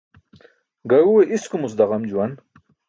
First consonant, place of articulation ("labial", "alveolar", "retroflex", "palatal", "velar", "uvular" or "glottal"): velar